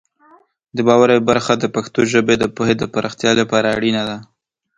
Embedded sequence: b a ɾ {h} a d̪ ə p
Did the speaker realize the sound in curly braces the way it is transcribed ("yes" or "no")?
no